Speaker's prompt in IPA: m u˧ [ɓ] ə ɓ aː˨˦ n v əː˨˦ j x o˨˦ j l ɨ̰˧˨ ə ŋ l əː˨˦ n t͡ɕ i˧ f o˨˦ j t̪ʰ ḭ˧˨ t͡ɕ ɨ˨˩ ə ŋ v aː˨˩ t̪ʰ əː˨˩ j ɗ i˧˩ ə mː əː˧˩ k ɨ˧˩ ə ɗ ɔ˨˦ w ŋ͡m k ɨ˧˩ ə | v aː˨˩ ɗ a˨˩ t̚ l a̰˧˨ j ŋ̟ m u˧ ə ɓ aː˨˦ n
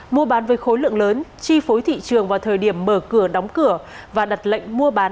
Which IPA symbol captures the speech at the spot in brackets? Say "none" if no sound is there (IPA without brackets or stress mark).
none